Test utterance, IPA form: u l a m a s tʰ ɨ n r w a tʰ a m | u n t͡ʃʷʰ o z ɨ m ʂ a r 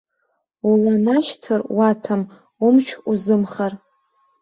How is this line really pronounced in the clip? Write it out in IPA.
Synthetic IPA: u l a n a ʃ tʰ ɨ r w a tʰ a m | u m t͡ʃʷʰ u z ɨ m χ a r